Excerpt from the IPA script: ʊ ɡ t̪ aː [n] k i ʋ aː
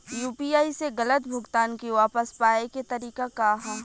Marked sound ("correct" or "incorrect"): correct